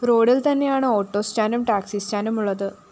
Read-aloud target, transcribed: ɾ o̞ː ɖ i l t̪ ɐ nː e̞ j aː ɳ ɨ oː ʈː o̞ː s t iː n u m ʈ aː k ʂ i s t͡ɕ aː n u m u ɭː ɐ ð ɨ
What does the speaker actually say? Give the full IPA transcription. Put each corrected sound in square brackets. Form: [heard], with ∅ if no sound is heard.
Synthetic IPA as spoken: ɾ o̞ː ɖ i l t̪ ɐ nː e̞ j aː ɳ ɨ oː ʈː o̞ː s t [aː] n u m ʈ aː k [s] i s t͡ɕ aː n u m u ɭː ɐ ð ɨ